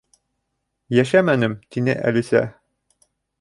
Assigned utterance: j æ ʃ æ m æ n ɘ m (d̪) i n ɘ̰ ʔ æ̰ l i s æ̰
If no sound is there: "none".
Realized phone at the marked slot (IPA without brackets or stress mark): t̪